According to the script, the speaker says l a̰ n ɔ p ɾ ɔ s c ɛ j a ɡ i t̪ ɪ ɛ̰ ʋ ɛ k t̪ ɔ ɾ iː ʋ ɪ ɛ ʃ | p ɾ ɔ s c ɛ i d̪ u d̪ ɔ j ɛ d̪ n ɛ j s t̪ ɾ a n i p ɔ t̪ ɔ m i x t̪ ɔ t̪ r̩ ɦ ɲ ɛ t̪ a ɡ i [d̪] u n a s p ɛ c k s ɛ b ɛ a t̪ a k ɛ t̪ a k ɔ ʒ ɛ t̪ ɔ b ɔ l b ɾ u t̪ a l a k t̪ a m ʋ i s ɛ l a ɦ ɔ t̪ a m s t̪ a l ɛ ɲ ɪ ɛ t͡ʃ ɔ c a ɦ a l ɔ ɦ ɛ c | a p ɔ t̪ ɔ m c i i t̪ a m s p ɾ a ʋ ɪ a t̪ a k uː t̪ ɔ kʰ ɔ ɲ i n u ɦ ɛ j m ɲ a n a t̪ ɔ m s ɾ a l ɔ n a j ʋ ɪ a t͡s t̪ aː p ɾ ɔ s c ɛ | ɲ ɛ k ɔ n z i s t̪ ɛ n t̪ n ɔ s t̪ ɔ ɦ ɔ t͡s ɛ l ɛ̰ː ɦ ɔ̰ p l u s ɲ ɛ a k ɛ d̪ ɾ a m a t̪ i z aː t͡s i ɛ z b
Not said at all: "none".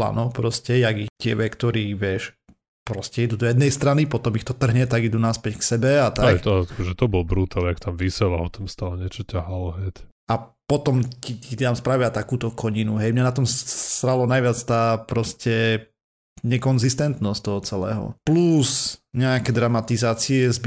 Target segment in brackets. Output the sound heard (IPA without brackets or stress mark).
d̪